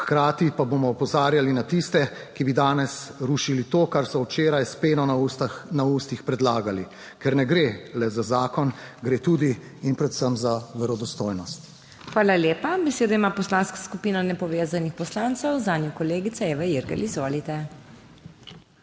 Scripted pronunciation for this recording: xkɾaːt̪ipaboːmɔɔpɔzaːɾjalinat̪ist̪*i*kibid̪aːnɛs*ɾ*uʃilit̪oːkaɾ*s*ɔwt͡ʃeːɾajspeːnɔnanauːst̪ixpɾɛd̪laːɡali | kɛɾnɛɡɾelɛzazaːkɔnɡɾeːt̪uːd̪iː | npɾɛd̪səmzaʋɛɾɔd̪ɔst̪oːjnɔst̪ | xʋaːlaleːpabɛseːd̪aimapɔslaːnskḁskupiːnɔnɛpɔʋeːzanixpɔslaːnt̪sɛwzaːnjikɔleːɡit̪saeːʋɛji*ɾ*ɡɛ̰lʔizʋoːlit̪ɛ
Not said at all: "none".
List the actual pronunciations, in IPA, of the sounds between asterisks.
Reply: ɛ, ɾ, s, ɾ

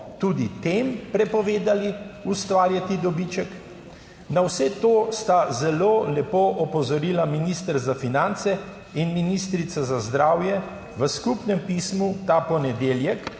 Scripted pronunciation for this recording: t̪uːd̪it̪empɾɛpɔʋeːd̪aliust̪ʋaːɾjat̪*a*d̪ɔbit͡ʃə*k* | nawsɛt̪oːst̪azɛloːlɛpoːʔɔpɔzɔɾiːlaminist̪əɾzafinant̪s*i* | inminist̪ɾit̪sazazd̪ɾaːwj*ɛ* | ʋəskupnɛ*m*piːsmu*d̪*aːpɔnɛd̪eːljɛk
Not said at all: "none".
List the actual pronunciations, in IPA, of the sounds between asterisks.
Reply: i, k, ɛ, ɛ, m, t̪

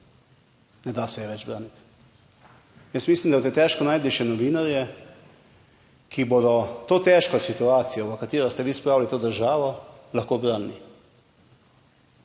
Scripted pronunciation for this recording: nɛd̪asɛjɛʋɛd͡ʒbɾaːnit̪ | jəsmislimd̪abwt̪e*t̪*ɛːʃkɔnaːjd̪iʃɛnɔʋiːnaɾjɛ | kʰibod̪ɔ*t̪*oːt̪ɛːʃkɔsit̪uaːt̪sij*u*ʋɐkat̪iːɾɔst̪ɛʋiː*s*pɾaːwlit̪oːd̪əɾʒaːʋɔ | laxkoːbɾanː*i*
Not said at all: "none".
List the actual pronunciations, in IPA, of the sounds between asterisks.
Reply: t̪, t̪, ɔ, s, i

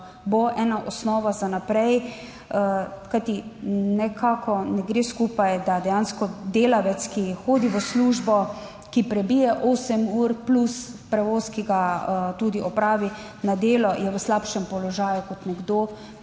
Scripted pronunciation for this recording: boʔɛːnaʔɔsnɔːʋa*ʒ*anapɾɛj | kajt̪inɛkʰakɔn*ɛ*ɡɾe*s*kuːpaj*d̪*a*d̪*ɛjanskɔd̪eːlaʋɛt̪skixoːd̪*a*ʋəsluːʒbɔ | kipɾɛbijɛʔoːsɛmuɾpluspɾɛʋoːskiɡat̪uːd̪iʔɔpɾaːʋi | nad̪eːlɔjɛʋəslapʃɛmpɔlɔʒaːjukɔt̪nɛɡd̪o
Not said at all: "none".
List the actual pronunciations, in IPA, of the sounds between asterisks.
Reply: z, ɛ, s, d̪, d̪, i

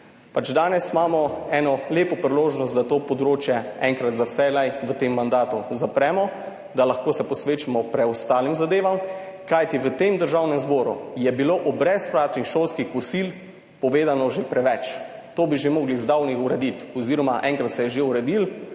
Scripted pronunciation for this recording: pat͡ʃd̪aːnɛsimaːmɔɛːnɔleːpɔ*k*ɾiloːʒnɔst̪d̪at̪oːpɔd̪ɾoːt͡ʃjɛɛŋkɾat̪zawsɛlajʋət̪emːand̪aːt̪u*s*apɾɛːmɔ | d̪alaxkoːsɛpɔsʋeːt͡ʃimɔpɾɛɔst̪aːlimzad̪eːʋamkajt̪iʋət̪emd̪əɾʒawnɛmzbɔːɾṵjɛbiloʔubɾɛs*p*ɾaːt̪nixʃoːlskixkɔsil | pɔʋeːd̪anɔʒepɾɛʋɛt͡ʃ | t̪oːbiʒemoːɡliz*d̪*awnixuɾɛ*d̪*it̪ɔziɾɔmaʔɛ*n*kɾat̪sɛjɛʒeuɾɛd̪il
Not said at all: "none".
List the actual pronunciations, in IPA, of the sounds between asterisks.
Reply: p, z, p, d̪, d̪, ŋ

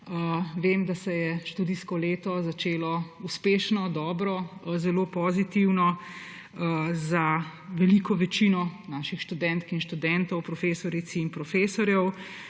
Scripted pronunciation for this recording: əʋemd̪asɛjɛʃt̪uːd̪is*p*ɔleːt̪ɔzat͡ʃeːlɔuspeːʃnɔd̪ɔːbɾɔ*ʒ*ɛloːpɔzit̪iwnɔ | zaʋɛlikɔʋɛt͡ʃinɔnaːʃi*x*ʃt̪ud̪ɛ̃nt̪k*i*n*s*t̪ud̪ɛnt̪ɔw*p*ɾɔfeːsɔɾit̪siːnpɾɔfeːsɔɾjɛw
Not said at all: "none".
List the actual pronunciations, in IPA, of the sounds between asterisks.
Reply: k, z, x, i, ʃ, p

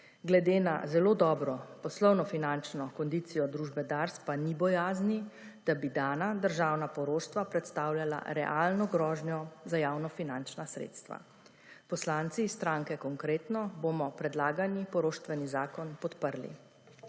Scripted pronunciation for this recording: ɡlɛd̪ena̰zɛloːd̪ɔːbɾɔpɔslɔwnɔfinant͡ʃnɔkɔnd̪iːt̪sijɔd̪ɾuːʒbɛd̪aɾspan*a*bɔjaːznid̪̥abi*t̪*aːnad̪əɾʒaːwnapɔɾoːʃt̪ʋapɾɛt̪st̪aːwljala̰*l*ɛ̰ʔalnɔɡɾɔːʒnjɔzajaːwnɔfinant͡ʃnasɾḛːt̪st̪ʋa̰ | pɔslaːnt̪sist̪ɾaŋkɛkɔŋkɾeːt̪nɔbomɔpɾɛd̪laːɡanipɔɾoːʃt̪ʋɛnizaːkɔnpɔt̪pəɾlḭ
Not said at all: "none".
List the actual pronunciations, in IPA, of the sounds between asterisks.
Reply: i, d̪, ɾ

